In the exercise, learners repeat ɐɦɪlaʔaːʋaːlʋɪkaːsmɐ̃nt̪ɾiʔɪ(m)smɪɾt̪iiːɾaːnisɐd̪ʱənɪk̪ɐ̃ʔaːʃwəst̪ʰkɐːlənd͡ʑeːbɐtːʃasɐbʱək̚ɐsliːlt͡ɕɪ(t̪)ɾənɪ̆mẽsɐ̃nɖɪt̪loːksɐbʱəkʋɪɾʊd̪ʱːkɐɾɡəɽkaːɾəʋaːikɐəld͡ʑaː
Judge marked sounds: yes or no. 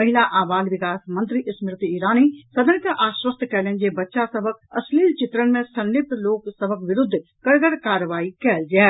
no, yes

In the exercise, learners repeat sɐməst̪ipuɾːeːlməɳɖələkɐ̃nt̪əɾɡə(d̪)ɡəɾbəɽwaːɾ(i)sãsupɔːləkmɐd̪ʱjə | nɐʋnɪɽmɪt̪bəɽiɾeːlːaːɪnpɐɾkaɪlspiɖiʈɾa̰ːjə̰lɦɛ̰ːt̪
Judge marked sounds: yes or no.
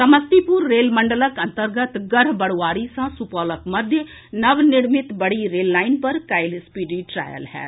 no, yes

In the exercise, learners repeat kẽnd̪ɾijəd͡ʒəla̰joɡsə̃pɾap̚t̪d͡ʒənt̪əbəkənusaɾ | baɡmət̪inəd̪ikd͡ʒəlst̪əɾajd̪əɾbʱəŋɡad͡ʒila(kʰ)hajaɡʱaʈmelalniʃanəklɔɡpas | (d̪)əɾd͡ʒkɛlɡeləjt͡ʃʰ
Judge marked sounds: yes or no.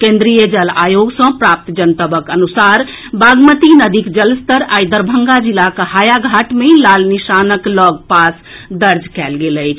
no, yes

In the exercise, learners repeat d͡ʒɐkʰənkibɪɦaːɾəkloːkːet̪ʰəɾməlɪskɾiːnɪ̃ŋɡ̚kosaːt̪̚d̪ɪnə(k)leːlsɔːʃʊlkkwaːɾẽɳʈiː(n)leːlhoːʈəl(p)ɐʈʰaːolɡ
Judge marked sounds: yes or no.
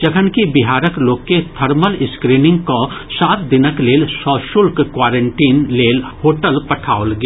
yes, yes, yes

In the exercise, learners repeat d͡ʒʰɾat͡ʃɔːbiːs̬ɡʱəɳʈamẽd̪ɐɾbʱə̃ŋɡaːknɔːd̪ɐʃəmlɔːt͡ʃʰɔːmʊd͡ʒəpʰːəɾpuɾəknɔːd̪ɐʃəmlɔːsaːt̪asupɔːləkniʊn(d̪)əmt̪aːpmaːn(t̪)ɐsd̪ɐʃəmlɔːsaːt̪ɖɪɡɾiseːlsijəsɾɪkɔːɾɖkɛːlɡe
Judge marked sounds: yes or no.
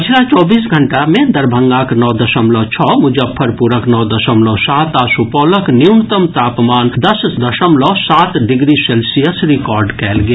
no, no

